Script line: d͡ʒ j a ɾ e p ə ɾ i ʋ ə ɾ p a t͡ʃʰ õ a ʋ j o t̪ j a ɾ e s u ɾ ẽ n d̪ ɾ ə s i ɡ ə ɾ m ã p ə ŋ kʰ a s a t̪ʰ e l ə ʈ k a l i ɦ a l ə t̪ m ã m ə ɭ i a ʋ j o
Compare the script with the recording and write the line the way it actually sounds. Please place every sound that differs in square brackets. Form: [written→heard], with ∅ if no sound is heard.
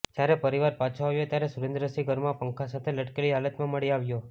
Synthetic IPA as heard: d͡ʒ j a ɾ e p ə ɾ i ʋ [ə→a] ɾ p a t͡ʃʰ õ a ʋ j o t̪ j a ɾ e s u ɾ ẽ n d̪ ɾ ə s i ɡ ə ɾ m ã p ə ŋ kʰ a s a t̪ʰ e l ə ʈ k [a→e] l i ɦ a l ə t̪ m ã m ə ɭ i a ʋ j o